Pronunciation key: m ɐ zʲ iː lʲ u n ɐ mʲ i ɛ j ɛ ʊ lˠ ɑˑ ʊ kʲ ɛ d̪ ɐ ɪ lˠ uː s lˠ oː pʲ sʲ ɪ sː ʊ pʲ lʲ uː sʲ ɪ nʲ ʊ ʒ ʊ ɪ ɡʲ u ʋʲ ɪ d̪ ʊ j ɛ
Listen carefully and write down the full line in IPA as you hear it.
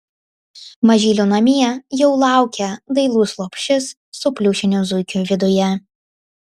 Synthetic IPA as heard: m ɐ ʒʲ iː lʲ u n ɐ mʲ i ɛ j ɛ ʊ lˠ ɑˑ ʊ kʲ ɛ d̪ ɐ ɪ lˠ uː s lˠ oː pʲ ʃʲ ɪ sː ʊ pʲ lʲ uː ʃʲ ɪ nʲ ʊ z ʊ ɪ kʲ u ʋʲ ɪ d̪ ʊ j ɛ

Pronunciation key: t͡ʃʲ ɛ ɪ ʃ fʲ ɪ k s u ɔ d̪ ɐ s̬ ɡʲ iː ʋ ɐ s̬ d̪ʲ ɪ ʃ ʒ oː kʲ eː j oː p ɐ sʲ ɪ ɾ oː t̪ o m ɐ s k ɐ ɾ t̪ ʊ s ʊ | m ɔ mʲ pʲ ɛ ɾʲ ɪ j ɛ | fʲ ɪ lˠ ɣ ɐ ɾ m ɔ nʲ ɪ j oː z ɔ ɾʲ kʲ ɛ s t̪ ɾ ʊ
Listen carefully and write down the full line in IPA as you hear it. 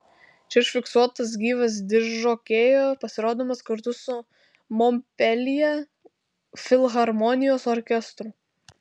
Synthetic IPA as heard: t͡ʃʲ ɛ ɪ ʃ fʲ ɪ k s u ɔ t̪ ɐ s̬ ɡʲ iː ʋ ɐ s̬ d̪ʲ ɪ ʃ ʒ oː kʲ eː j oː p ɐ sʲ ɪ ɾ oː d̪ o m ɐ s k ɐ ɾ t̪ ʊ s ʊ | m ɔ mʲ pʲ ɛ lʲ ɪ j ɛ | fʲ ɪ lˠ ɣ ɐ ɾ m ɔ nʲ ɪ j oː s ɔ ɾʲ kʲ ɛ s t̪ ɾ ʊ

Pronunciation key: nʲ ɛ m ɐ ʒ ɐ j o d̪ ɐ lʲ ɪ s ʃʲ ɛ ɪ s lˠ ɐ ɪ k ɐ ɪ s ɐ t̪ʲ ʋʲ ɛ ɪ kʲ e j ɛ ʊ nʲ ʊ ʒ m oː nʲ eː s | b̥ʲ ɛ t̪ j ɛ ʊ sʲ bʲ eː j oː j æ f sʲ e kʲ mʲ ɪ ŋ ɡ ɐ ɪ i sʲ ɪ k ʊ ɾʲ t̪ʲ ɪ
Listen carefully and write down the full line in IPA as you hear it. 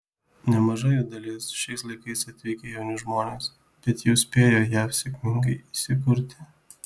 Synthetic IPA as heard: nʲ ɛ m ɐ ʒ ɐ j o d̪ ɐ lʲ ɪ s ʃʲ ɛ ɪ s lˠ ɐ ɪ k ɐ ɪ s ɐ t̪ʲ ʋʲ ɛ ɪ kʲ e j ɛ ʊ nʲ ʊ ʒ m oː nʲ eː s | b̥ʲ ɛ t̪ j ɛ ʊ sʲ pʲ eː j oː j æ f sʲ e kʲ mʲ ɪ ŋ ɡ ɐ ɪ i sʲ ɪ k ʊ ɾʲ t̪ʲ ɪ

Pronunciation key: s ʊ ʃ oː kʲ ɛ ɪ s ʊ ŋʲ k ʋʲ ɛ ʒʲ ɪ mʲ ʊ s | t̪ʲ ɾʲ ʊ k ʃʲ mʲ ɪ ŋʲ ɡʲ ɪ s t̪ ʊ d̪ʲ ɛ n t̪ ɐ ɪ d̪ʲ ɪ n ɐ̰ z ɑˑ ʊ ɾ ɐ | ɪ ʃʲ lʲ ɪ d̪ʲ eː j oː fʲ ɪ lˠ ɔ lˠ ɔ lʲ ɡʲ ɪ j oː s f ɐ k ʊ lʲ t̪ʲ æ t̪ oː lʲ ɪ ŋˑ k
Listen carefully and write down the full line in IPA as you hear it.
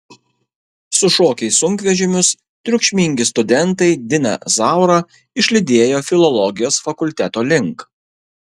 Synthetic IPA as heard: s ʊ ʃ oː kʲ ɛ ɪ s ʊ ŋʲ k ʋʲ ɛ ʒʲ ɪ mʲ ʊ s | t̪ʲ ɾʲ ʊ k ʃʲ mʲ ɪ ŋʲ ɡʲ ɪ s t̪ ʊ d̪ʲ ɛ n t̪ ɐ ɪ d̪ʲ ɪ n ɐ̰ z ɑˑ ʊ ɾ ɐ | ɪ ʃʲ lʲ ɪ d̪ʲ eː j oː fʲ ɪ lˠ ɔ lˠ ɔ ɡʲ ɪ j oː s f ɐ k ʊ lʲ t̪ʲ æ t̪ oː lʲ ɪ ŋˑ k

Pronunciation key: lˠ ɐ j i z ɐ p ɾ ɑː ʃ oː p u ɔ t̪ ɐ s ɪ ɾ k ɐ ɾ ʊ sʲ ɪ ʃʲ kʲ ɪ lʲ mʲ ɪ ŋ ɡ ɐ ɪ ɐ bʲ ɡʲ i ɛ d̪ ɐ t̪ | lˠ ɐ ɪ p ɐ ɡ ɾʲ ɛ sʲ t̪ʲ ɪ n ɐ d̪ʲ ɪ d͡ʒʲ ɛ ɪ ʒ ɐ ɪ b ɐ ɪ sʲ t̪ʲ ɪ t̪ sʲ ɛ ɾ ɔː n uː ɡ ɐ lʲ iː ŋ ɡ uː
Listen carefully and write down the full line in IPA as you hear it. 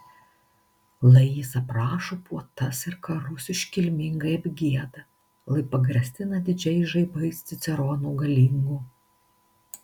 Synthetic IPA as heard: lˠ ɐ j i s ɐ p ɾ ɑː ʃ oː p u ɔ t̪ ɐ s ɪ ɾ k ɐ ɾ ʊ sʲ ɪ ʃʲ kʲ ɪ lʲ mʲ ɪ ŋ ɡ ɐ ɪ ɐ bʲ ɡʲ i ɛ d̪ ɐ | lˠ ɐ ɪ p ɐ ɡ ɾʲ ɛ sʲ t̪ʲ ɪ n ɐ d̪ʲ ɪ d͡ʒʲ ɛ ɪ ʒ ɐ ɪ b ɐ ɪ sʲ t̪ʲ ɪ t̪ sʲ ɛ ɾ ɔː n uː ɡ ɐ lʲ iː ŋ ɡ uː

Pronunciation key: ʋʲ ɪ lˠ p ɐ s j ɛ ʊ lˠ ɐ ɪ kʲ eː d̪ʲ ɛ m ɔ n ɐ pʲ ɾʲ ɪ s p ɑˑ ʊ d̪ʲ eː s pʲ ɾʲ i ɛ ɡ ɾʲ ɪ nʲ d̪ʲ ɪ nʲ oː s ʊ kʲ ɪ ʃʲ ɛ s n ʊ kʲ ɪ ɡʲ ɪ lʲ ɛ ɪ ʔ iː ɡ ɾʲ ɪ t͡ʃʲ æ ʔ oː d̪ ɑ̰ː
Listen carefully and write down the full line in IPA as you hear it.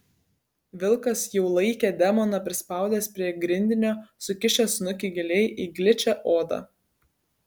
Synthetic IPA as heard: ʋʲ ɪ lˠ k ɐ s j ɛ ʊ lˠ ɐ ɪ kʲ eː d̪ʲ ɛ m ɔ n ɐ pʲ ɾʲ ɪ s p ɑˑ ʊ d̪ʲ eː s pʲ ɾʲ i ɛ ɡ ɾʲ ɪ nʲ d̪ʲ ɪ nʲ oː s ʊ kʲ ɪ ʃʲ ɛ s n ʊ kʲ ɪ ɡʲ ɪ lʲ ɛ ɪ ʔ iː ɡ lʲ ɪ t͡ʃʲ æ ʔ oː d̪ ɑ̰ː

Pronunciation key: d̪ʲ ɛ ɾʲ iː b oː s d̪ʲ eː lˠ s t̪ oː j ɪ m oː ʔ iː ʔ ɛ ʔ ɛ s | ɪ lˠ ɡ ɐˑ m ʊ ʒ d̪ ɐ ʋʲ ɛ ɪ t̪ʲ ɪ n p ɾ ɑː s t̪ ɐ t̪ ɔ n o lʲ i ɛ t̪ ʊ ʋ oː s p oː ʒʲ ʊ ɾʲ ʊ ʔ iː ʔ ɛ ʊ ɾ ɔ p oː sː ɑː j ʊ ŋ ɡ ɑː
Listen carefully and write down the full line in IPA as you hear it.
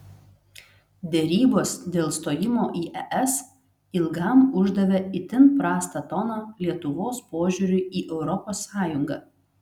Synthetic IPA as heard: d̪ʲ ɛ ɾʲ iː b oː s d̪ʲ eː lˠ s t̪ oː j ɪ m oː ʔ iː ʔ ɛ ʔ ɛ s | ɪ lˠ ɡ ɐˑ m ʊ ʒ d̪ ɐ ʋʲ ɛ ɪ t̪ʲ ɪ n p ɾ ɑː s t̪ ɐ t̪ ɔ n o lʲ i ɛ t̪ ʊ ʋ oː s p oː ʒʲ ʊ ɾʲ ʊ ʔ iː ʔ ɛ ʊ ɾ ɔ p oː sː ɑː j ʊ ŋ ɡ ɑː

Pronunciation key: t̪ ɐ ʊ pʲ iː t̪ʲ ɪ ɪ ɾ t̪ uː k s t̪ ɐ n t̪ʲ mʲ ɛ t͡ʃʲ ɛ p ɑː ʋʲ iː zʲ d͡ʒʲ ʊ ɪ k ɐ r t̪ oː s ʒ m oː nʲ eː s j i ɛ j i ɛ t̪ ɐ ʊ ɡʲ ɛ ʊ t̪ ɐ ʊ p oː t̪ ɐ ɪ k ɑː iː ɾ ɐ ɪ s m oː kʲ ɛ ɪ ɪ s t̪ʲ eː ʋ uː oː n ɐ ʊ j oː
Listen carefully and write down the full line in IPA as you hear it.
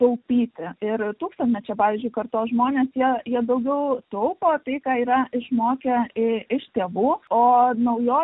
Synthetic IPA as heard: t̪ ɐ ʊ pʲ iː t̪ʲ ɪ ɪ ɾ t̪ uː k s t̪ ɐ n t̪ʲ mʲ ɛ t͡ʃʲ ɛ p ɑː ʋʲ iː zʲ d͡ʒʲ ʊ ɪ k ɐ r t̪ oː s ʒ m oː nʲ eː s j i ɛ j i ɛ d̪ ɐ ʊ ɡʲ ɛ ʊ t̪ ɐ ʊ p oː t̪ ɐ ɪ k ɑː iː ɾ ɐ ɪ ʃ m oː kʲ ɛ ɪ ɪ ʃ t̪ʲ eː ʋ uː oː n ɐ ʊ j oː

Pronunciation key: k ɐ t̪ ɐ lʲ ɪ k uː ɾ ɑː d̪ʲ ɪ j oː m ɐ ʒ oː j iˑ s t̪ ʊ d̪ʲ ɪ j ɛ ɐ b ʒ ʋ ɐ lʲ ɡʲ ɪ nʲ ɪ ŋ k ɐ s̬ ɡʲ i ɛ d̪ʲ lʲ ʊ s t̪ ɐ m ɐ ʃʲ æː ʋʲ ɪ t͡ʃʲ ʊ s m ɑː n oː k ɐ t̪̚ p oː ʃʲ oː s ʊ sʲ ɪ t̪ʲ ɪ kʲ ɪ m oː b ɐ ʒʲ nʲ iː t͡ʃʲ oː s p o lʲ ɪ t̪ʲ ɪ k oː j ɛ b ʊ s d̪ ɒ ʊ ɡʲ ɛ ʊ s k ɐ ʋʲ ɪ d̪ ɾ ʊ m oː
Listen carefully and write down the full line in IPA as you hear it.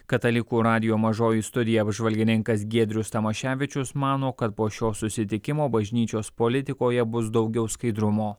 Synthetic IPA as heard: k ɐ t̪ ɐ lʲ ɪ k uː ɾ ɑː d̪ʲ ɪ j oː m ɐ ʒ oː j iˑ s t̪ ʊ d̪ʲ ɪ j ɛ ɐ b ʒ ʋ ɐ lʲ ɡʲ ɪ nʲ ɪ ŋ k ɐ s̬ ɡʲ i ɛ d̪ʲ ɾʲ ʊ s t̪ ɐ m ɐ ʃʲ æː ʋʲ ɪ t͡ʃʲ ʊ s m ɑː n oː k ɐ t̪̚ p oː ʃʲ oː s ʊ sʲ ɪ t̪ʲ ɪ kʲ ɪ m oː b ɐ ʒʲ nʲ iː t͡ʃʲ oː s p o lʲ ɪ t̪ʲ ɪ k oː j ɛ b ʊ s d̪ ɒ ʊ ɡʲ ɛ ʊ s k ɐ ɪ d̪ ɾ ʊ m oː

